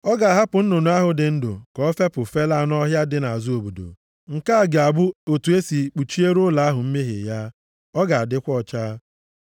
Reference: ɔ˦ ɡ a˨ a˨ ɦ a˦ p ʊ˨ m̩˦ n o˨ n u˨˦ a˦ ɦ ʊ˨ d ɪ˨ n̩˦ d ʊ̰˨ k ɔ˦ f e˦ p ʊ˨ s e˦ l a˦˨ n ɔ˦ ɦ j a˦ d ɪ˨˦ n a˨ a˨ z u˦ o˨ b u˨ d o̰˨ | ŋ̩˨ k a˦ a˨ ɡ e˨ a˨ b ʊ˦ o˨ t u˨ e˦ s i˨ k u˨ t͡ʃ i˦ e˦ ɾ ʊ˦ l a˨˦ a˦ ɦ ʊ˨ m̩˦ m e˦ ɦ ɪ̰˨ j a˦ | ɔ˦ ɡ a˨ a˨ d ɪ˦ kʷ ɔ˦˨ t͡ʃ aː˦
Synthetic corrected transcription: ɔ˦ ɡ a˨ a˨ ɦ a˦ p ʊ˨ n̩˦ n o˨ n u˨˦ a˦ ɦ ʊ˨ d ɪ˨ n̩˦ d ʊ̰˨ k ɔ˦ f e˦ p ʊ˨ f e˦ l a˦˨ n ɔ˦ ɦ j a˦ d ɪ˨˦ n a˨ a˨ z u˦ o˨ b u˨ d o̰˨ | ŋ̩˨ k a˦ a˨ ɡ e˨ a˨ b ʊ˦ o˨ t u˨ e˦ s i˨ k͡p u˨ t͡ʃ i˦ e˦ ɾ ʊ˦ l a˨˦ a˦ ɦ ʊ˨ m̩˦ m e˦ ɦ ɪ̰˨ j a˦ | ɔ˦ ɡ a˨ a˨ d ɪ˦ kʷ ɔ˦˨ t͡ʃ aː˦